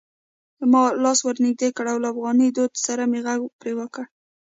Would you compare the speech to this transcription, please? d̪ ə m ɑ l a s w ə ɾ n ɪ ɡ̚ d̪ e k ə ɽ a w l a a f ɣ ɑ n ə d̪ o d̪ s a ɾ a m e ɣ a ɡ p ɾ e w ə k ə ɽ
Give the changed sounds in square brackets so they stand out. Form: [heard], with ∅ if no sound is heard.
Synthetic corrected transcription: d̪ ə m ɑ l [ɑ] s w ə ɾ n ɪ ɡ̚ d̪ e k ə ɽ a w l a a f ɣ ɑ n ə d̪ o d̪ s a ɾ a m e ɣ a ɡ p ɾ e w ə k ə ɽ